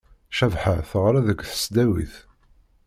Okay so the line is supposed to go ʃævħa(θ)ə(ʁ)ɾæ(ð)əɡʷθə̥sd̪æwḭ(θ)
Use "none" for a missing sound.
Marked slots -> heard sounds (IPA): θ, ʁ, ð, θ

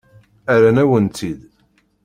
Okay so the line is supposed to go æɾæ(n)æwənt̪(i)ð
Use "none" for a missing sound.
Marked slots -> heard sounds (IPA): n, i

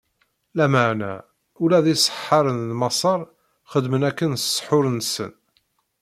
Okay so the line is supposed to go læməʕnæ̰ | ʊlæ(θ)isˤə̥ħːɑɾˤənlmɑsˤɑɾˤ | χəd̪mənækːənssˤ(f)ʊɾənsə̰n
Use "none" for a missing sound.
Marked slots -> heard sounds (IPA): ð, ħ

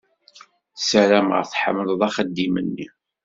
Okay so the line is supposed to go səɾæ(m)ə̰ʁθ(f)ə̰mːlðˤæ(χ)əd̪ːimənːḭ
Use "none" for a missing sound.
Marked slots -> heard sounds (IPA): m, ħ, χ

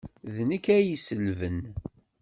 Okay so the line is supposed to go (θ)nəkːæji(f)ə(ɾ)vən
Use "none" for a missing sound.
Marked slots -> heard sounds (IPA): ð, s, l

